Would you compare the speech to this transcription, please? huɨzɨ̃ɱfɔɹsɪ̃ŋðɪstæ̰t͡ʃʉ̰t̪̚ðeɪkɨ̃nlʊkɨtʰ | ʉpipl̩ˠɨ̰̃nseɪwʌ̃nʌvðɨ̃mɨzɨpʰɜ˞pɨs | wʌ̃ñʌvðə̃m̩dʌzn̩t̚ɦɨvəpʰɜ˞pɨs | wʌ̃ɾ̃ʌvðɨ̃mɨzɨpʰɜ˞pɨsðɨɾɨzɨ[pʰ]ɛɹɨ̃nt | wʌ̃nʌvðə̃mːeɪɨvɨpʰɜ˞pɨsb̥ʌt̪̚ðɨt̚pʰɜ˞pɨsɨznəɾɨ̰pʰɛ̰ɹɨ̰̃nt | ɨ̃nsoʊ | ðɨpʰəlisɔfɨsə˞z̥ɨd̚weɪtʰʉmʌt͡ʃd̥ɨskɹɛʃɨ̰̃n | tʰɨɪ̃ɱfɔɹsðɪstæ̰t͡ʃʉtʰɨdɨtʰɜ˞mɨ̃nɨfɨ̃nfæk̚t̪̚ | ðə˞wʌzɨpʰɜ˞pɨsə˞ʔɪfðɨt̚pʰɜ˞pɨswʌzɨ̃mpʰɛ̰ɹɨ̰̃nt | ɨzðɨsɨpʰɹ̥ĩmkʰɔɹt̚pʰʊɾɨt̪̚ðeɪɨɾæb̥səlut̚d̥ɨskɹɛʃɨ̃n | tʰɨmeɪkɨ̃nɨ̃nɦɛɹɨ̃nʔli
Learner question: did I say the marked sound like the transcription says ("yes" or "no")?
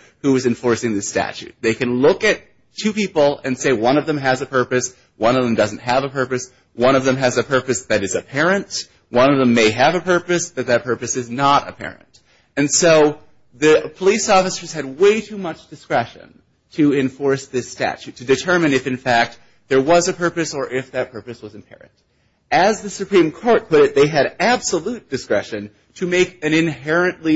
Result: yes